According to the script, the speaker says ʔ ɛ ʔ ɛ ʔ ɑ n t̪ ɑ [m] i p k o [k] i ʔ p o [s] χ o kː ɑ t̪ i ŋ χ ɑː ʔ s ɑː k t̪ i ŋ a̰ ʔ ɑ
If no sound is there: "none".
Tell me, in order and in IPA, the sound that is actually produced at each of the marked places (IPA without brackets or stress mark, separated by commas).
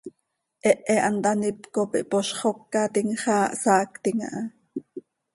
n, p, ʃ